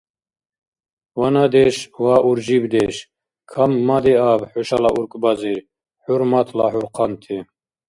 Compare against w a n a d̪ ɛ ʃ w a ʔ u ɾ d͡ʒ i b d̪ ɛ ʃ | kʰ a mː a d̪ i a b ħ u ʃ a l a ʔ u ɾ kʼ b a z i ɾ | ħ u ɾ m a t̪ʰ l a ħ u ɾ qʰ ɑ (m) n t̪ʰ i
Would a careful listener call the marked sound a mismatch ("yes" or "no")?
yes